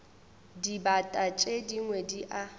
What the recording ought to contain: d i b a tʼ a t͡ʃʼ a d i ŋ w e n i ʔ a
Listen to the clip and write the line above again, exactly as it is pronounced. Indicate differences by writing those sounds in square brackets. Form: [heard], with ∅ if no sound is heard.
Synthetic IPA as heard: d i b a tʼ a t͡ʃʼ [e] d i ŋ w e [d] i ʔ a